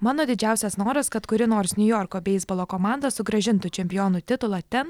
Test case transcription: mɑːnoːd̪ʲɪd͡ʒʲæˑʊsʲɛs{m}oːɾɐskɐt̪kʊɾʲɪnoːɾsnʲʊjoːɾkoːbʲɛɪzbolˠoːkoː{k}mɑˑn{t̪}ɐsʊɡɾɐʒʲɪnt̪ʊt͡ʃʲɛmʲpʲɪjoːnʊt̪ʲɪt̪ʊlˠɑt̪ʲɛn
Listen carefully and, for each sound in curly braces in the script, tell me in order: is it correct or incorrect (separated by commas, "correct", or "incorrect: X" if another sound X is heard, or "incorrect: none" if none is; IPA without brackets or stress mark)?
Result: incorrect: n, incorrect: none, incorrect: d̪